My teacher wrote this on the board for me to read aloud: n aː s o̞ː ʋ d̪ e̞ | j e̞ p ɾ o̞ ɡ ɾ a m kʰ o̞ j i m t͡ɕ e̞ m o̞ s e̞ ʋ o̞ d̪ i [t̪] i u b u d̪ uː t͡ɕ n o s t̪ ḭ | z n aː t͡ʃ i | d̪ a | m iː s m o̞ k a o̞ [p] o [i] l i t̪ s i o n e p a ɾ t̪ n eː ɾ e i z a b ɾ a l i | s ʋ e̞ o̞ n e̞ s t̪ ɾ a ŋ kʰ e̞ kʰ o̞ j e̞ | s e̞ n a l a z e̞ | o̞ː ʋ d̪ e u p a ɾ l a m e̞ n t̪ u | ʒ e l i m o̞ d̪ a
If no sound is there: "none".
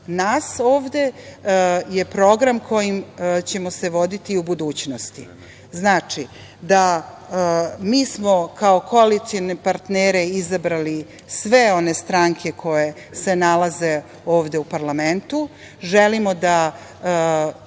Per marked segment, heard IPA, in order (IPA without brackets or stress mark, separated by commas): t̪, k, a